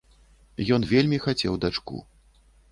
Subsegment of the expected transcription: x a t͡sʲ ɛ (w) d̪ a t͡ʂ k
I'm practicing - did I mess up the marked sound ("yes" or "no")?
no